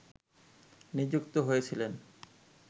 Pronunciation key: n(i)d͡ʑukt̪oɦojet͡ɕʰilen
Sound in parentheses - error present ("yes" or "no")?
no